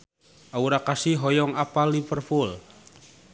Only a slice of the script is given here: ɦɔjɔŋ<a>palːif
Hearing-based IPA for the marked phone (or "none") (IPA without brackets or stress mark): a